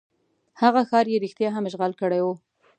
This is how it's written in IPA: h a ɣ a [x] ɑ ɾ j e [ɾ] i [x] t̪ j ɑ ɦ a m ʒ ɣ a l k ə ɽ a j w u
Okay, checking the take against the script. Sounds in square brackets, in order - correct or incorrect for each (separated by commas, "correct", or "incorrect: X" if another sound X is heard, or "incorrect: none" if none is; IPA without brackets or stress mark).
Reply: correct, correct, correct